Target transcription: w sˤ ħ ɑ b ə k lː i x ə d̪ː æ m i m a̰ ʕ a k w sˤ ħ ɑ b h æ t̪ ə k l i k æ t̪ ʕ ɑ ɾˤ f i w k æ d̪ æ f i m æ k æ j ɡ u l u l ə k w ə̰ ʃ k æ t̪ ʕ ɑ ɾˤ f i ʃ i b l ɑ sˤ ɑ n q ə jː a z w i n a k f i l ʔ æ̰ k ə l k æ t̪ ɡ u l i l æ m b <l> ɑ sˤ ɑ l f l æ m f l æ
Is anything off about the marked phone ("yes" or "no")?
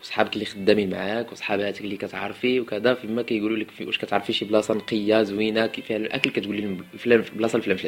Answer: no